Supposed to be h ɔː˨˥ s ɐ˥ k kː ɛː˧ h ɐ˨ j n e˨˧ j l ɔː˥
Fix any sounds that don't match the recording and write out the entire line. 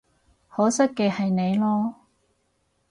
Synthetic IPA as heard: h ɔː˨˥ s ɐ˥ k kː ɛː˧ h ɐ˨ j n e˨˧ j l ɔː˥